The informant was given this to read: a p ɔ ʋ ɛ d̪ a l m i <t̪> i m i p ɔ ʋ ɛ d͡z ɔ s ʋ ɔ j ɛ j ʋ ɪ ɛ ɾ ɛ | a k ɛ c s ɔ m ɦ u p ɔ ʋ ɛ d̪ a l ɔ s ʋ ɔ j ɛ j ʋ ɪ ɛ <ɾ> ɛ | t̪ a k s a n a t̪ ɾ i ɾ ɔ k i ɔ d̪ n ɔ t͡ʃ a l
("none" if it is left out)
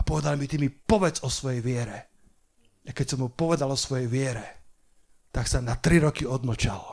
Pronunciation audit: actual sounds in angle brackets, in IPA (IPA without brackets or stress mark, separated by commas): t̪, ɾ